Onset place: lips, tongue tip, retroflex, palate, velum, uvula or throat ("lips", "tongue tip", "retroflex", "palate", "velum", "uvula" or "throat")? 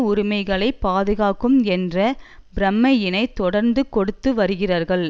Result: tongue tip